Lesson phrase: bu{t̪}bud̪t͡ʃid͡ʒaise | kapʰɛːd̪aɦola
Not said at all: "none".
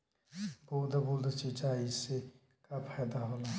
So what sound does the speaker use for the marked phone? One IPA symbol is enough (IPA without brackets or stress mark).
d̪